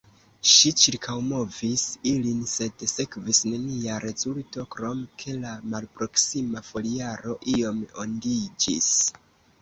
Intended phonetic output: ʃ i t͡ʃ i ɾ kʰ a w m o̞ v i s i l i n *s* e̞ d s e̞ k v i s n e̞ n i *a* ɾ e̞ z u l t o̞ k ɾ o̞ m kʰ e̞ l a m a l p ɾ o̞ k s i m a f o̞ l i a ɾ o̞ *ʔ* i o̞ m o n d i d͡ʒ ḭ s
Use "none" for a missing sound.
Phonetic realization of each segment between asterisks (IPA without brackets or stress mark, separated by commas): s, a, ʔ